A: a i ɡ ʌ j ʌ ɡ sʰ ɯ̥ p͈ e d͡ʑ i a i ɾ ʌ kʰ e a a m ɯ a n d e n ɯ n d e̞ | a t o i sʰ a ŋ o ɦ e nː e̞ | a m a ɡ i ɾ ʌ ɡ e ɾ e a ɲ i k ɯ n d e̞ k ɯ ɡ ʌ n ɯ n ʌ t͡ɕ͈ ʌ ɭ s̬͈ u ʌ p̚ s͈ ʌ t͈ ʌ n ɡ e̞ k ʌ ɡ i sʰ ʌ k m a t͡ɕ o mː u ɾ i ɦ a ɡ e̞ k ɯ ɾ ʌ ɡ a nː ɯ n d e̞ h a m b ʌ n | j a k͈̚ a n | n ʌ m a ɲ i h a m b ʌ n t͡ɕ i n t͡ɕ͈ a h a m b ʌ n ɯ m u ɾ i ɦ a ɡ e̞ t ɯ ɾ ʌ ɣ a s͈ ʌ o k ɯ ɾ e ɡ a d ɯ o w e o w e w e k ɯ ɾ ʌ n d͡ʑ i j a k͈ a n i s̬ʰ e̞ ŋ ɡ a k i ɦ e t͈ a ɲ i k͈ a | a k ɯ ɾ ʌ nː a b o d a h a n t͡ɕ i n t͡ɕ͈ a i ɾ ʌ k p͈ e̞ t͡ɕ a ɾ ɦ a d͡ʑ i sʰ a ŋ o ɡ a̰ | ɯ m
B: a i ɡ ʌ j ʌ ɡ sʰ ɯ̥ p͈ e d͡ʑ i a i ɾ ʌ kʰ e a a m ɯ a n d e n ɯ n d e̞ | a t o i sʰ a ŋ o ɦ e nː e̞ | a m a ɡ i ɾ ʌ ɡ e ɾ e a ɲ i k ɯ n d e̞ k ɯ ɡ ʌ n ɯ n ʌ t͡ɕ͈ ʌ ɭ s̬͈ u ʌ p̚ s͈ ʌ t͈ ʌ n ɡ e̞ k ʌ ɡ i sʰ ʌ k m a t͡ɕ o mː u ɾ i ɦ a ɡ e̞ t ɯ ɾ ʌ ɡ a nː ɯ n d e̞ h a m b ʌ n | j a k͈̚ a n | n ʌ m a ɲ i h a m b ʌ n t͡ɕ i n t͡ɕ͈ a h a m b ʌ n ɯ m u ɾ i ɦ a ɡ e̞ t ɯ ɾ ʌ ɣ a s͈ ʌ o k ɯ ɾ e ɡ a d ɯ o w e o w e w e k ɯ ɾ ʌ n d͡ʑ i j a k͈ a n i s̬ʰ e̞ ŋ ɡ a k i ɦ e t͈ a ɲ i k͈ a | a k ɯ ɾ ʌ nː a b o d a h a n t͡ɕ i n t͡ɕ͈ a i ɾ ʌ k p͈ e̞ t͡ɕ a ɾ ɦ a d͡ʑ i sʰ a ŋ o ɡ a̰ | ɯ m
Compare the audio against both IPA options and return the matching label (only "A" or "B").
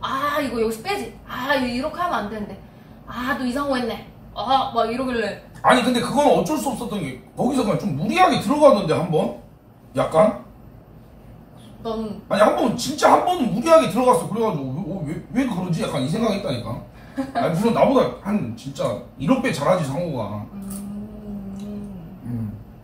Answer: B